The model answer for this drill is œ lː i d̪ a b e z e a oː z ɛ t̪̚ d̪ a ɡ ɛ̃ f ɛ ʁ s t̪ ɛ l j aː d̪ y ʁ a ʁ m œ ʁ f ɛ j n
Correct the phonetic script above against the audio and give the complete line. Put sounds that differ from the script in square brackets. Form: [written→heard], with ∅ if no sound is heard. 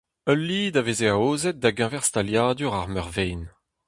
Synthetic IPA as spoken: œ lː i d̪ a [b→v] e z e a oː z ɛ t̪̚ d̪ a ɡ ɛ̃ [f→v] ɛ ʁ s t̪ [ɛ→a] l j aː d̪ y ʁ a ʁ m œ ʁ [f→v] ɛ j n